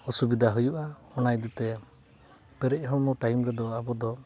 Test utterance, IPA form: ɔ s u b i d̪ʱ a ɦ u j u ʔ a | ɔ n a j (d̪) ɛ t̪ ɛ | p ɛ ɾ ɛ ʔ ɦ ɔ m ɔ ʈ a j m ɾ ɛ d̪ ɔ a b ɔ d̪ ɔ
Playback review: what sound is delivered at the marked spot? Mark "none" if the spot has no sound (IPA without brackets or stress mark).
d̪